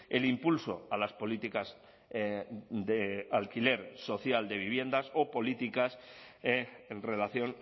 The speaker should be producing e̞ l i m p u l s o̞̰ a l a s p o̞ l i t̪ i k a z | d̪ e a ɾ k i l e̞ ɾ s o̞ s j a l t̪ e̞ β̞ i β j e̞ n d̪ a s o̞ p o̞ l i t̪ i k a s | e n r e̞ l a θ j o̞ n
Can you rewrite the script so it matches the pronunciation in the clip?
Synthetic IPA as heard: e̞ l i m p u l s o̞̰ a l a s p o̞ l i t̪ i k a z | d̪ e a l k i l e̞ ɾ s o̞ θ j a l d̪ e̞ β̞ i β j e̞ n d̪ a s o̞ p o̞ l i t̪ i k a s | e n r e̞ l a θ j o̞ n